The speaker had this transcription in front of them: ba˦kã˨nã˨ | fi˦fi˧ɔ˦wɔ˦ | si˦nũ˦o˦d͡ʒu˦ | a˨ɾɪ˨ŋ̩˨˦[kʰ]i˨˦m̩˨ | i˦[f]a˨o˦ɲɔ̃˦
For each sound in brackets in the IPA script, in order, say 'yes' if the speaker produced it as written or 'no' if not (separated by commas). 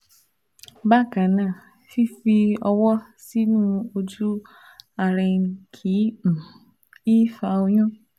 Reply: yes, yes